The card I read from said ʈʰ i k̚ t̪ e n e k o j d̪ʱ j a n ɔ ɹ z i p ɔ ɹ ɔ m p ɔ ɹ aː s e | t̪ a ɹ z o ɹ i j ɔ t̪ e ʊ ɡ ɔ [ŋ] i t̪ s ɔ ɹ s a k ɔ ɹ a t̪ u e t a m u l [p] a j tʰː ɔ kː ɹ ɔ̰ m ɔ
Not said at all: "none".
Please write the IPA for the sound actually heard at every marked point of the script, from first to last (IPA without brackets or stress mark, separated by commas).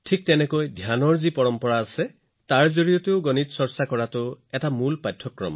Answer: n, p